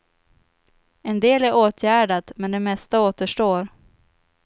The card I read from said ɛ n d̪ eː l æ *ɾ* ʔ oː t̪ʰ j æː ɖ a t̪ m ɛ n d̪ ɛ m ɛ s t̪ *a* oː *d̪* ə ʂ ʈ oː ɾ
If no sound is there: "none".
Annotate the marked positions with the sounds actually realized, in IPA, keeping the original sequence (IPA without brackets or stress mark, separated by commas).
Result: ɾ, a, t̪